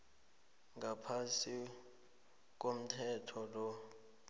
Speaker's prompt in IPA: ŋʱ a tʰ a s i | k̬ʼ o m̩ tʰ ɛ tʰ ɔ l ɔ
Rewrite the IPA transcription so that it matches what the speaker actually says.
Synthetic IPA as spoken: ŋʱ a pʰ a s i | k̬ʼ o m̩ tʰ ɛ tʰ ɔ l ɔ